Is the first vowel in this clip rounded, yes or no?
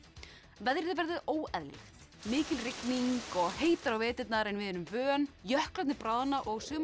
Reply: no